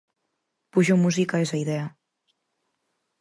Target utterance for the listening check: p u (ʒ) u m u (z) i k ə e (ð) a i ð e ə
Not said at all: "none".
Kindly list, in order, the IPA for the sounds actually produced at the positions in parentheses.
ʒ, z, z

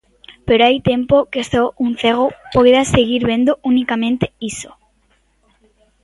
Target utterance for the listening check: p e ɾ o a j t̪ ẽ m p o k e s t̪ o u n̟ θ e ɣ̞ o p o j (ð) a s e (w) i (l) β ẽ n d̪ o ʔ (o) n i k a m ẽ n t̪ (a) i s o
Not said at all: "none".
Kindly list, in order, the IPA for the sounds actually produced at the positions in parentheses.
ð, ɣ, ɾ, u, e

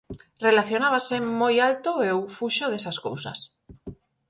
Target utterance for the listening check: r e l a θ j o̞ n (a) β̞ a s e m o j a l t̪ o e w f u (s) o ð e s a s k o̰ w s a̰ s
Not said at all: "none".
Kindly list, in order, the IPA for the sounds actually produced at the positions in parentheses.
a, ʃ

